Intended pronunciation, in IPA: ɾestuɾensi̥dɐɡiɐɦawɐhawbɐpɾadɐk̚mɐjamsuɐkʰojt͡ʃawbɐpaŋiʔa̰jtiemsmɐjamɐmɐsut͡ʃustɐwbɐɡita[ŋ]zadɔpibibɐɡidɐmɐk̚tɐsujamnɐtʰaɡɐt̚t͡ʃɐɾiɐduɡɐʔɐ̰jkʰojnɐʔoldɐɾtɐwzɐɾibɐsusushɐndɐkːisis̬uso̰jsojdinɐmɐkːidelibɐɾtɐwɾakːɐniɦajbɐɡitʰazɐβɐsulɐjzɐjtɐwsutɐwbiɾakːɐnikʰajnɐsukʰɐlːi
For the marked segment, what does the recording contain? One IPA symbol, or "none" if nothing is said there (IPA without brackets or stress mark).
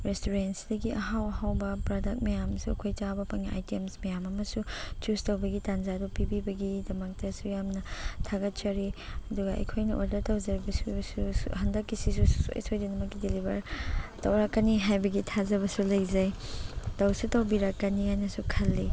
n